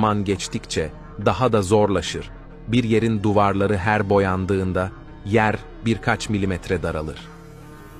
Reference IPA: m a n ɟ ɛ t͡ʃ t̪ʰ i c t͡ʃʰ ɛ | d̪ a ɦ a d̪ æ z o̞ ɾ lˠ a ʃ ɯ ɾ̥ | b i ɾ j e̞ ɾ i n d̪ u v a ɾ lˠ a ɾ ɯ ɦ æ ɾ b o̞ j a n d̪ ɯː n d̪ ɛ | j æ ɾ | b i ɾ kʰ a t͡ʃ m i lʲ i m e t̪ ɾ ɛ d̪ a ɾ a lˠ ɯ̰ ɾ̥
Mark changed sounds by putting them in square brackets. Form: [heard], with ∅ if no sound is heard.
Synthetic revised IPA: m a n ɟ ɛ t͡ʃ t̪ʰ i c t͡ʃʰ ɛ | d̪ a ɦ a d̪ [a] z o̞ ɾ lˠ a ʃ ɯ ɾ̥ | b i ɾ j e̞ ɾ i n d̪ u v a ɾ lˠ a ɾ ɯ ɦ æ ɾ b o̞ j a n d̪ ɯː n d̪ [a] | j æ ɾ | b i ɾ kʰ a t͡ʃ m i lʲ i m [ɛ] t̪ ɾ ɛ d̪ a ɾ a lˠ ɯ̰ ɾ̥